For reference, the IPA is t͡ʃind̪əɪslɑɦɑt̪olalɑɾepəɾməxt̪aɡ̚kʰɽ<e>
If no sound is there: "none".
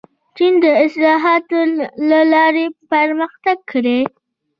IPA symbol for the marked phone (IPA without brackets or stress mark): e